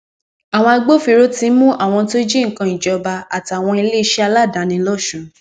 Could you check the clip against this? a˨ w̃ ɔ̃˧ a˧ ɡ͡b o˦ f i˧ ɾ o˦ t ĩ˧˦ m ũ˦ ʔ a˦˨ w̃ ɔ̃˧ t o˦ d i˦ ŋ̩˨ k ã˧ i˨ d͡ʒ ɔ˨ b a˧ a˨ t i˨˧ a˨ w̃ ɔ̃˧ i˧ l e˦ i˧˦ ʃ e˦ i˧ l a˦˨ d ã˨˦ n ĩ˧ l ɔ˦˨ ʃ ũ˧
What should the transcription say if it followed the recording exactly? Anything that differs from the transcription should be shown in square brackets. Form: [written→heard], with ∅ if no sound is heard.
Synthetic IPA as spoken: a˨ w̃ ɔ̃˧ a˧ ɡ͡b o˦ f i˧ ɾ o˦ t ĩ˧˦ m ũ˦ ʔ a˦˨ w̃ ɔ̃˧ t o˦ [d→d͡ʒ] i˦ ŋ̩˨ k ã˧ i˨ d͡ʒ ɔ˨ b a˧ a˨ t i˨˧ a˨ w̃ ɔ̃˧ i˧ l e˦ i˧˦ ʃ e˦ [i˧→a˧] l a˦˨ d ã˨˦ n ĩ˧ l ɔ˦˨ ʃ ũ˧